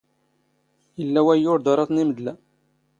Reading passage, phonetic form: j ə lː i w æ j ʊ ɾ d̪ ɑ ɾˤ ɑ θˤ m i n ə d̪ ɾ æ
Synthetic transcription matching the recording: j ə lː æ w æ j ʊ ɾ d̪ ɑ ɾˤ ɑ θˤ n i m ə d̪ l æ